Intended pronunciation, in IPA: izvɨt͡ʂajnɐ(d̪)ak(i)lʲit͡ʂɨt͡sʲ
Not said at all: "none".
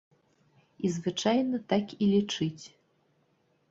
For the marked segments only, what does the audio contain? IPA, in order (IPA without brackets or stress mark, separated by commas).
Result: t̪, i